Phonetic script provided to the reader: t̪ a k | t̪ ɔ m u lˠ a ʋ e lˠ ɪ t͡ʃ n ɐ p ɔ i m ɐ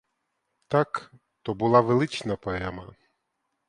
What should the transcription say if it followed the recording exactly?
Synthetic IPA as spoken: t̪ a k | t̪ ɔ b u lˠ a ʋ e lˠ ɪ t͡ʃ n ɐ p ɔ ɛ m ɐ